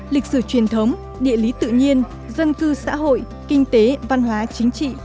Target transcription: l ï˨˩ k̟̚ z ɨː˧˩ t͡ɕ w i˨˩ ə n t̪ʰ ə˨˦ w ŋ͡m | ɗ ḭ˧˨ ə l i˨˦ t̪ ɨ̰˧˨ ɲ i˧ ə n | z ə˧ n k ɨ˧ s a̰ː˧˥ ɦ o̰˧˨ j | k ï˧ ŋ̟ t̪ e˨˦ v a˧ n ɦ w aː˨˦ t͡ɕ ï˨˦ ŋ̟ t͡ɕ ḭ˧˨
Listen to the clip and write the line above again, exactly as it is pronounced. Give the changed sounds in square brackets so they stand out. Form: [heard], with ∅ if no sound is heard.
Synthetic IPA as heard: l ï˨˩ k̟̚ [s] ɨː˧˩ t͡ɕ w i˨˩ ə n t̪ʰ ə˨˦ w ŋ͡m | ɗ ḭ˧˨ ə l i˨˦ t̪ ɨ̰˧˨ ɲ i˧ ə n | z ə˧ n k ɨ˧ s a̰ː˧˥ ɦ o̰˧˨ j | k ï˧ ŋ̟ t̪ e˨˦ v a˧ n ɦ w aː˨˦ t͡ɕ ï˨˦ ŋ̟ t͡ɕ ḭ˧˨